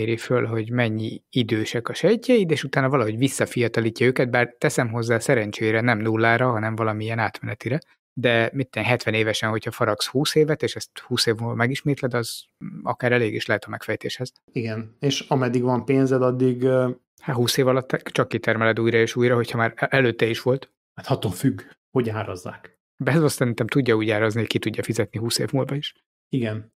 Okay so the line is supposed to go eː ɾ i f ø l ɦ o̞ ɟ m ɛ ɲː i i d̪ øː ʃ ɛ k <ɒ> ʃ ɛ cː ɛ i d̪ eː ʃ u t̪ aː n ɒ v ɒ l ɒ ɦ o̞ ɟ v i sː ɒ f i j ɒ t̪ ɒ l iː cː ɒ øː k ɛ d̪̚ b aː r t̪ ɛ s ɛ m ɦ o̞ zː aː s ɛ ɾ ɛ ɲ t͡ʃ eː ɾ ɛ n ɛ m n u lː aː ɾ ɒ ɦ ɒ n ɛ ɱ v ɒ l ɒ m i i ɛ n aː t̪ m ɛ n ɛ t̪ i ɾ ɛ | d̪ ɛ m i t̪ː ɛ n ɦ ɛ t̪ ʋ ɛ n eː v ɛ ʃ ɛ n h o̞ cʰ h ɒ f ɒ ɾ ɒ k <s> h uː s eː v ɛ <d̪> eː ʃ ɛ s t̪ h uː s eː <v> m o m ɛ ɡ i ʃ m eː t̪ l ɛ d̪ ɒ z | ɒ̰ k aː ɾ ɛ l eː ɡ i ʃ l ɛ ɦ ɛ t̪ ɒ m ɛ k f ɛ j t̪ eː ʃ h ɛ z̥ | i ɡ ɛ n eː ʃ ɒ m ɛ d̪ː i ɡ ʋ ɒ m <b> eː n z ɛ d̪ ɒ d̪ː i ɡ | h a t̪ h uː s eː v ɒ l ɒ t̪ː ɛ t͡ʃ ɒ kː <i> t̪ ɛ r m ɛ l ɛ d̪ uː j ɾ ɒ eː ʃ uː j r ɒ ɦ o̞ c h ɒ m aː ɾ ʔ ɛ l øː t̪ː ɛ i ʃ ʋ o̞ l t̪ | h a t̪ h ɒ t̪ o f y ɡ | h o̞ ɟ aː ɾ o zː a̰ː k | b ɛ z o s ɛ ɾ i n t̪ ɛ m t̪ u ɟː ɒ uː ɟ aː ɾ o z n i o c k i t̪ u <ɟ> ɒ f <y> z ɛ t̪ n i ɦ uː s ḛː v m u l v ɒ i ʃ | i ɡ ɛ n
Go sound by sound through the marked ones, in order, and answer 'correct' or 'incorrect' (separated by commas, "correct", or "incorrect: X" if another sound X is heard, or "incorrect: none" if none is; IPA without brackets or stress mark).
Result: correct, correct, incorrect: t̪, correct, incorrect: p, correct, incorrect: ɟː, incorrect: i